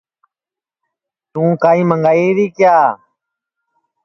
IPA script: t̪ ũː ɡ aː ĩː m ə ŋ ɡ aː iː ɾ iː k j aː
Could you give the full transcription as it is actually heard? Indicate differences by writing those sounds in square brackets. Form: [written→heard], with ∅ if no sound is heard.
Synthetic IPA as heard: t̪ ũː [ɡ→k] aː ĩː m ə ŋ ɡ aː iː ɾ iː k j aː